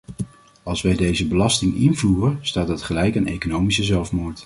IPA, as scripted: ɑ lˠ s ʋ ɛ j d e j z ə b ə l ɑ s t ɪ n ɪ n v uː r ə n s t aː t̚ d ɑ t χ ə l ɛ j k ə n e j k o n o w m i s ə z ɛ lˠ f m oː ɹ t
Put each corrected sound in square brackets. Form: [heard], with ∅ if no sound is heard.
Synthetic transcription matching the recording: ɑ lˠ s ʋ ɛ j d e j z ə b ə l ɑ s t ɪ [ŋ] ɪ n v uː r ə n s t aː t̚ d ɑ t χ ə l ɛ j k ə n e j k o n o w m i s ə z ɛ lˠ f m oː ɹ t